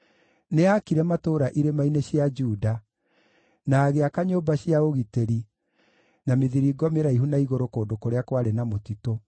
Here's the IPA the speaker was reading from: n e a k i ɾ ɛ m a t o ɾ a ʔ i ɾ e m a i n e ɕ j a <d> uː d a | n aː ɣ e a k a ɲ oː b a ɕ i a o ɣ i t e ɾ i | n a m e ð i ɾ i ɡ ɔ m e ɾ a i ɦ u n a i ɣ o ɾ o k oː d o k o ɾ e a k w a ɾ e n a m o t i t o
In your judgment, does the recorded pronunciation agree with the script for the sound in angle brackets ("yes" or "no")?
no